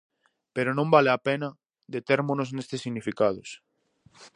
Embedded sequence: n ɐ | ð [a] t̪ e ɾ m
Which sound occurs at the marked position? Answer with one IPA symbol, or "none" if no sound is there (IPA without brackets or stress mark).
e